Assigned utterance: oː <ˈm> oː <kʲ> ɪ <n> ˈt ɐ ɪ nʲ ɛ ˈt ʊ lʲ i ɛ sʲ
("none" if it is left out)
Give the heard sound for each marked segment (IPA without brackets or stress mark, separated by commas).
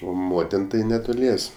m, tʲ, n